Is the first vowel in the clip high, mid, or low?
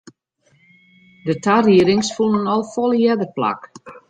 mid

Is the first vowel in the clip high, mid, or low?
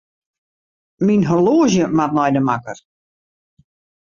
high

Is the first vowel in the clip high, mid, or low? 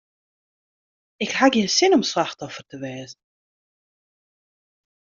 high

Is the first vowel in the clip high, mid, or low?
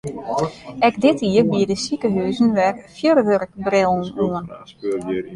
mid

